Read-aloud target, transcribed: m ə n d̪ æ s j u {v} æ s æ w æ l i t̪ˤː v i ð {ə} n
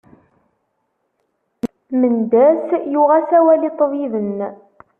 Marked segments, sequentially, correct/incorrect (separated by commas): incorrect, correct